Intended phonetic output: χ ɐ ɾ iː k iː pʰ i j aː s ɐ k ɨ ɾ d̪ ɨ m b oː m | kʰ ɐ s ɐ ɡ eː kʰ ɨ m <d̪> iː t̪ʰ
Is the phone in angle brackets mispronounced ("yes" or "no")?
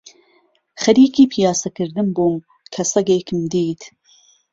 no